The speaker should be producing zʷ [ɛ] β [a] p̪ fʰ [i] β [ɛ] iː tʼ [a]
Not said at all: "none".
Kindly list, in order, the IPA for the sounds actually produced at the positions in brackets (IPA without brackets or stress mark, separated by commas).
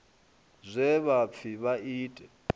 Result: ɛ, a, i, a, ɛ